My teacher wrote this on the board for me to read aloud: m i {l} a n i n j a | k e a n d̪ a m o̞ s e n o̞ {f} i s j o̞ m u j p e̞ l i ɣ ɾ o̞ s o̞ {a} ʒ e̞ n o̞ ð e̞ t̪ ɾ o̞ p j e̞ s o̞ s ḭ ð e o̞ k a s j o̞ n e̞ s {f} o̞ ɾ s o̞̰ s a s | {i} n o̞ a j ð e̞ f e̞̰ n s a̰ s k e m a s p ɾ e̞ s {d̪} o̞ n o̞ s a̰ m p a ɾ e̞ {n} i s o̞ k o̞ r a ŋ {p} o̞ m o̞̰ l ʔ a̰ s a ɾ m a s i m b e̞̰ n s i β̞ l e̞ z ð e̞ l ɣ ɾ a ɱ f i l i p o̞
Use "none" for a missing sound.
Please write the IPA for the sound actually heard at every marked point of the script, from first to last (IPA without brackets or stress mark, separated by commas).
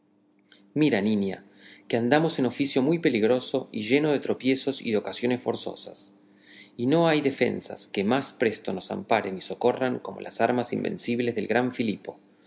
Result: ɾ, f, i, f, i, t̪, n, k